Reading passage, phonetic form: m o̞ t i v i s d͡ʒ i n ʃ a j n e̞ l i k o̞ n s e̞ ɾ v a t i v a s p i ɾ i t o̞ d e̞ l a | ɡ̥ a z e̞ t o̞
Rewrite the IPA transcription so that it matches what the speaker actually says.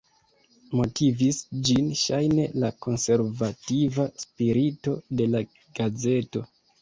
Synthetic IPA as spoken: m o̞ t i v i s d͡ʒ i n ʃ a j n e̞ l a k o̞ n s e̞ ɾ v a t i v a s p i ɾ i t o̞ d e̞ l a | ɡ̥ a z e̞ t o̞